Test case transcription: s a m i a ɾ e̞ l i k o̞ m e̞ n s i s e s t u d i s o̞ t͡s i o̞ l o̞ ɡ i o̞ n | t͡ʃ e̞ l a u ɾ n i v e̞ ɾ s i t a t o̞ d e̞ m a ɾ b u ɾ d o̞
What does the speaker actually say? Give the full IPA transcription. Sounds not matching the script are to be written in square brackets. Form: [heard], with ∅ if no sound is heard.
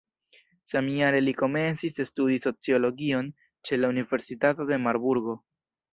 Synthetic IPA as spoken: s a m i a ɾ e̞ l i k o̞ m e̞ n s i s e s t u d i s o̞ t͡s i o̞ l o̞ ɡ i o̞ n | t͡ʃ e̞ l a u [∅] n i v e̞ ɾ s i t a t o̞ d e̞ m a ɾ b u ɾ [ɡ] o̞